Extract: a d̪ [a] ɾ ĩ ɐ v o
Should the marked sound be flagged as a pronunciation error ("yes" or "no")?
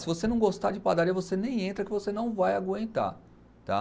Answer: no